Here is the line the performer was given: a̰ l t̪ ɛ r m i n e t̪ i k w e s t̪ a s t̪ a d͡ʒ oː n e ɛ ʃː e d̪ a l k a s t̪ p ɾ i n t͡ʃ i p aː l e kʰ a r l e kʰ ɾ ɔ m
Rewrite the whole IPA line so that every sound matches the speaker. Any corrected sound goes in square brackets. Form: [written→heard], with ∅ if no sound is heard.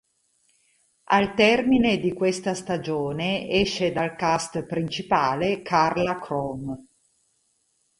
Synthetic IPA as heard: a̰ l t̪ ɛ r m i n e [t̪→d̪] i k w e s t̪ a s t̪ a d͡ʒ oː n e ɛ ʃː e d̪ a l k a s t̪ p ɾ i n t͡ʃ i p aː l e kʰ a r l [e→a] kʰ ɾ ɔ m